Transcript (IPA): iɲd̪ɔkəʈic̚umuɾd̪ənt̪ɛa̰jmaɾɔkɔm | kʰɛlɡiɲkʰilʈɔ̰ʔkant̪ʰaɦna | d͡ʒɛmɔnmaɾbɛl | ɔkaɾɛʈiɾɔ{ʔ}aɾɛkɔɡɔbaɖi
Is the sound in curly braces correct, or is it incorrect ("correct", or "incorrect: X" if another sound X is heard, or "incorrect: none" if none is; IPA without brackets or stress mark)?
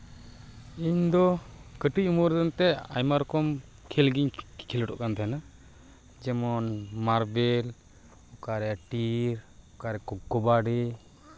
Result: incorrect: k